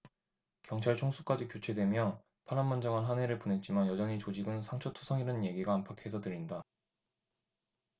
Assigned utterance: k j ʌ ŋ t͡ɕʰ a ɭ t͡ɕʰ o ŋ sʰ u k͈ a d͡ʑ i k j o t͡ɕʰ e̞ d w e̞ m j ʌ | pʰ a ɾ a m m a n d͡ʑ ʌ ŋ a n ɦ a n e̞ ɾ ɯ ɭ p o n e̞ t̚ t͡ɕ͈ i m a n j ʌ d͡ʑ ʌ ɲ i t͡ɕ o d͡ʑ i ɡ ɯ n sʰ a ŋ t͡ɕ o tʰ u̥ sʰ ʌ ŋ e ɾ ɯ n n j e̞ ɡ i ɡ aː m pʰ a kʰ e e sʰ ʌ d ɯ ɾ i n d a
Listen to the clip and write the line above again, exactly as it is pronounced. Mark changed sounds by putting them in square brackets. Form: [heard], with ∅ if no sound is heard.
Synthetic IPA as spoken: k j ʌ ŋ t͡ɕʰ a ɭ t͡ɕʰ o ŋ sʰ u k͈ a d͡ʑ i k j o t͡ɕʰ e̞ d w e̞ m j ʌ | pʰ a ɾ a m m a n d͡ʑ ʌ ŋ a n ɦ a n e̞ ɾ ɯ ɭ p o n e̞ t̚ t͡ɕ͈ i m a n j ʌ d͡ʑ ʌ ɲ i t͡ɕ o d͡ʑ i ɡ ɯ n sʰ a ŋ [t͡ɕʰ] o tʰ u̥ sʰ ʌ ŋ [i] ɾ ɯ n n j e̞ ɡ i ɡ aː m pʰ a kʰ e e sʰ ʌ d ɯ ɾ i n d a